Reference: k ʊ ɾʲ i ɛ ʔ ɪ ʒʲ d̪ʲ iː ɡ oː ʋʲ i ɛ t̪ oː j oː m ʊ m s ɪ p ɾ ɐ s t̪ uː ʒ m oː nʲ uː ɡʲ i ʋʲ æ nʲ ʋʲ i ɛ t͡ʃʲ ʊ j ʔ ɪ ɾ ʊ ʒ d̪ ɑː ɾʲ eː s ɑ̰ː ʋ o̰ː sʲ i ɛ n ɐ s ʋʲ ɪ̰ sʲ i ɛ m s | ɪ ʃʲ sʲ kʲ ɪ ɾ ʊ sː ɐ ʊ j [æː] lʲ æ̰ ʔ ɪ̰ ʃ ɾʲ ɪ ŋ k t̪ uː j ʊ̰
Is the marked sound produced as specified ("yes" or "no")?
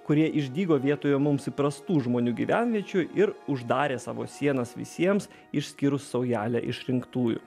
yes